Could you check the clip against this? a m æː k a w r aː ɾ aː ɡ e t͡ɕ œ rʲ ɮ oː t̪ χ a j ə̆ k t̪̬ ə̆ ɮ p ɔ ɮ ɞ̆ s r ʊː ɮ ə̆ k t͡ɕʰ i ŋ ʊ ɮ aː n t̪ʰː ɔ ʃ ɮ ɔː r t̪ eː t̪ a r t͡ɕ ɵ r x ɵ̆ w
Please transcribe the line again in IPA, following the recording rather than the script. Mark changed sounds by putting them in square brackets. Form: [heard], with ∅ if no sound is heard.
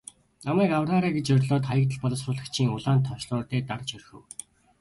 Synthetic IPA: a m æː k a w r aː ɾ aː ɡ e t͡ɕ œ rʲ ɮ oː t̪ χ a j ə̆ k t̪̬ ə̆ ɮ p ɔ ɮ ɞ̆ s r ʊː ɮ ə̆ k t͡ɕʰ [iː] ŋ ʊ ɮ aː n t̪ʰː ɔ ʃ ɮ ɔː r t̪ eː t̪ a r t͡ɕ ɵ r x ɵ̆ w